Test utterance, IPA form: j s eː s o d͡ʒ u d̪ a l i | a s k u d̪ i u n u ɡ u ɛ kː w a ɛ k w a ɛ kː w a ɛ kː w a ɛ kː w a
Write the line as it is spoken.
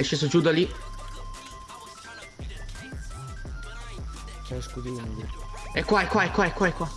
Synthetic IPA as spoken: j ʃ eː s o d͡ʒ u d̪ a l i | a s k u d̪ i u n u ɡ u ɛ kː w a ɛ k w a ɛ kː w a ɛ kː w a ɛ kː w a